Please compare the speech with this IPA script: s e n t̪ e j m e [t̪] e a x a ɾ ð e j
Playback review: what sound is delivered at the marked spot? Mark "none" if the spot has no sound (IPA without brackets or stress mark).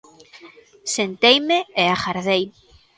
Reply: none